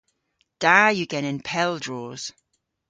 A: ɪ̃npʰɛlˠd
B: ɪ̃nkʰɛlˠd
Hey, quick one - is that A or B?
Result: A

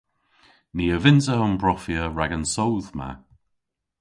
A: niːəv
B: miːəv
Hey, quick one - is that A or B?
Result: A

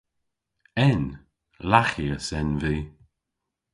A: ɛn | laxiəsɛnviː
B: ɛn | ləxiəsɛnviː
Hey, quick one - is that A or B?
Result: A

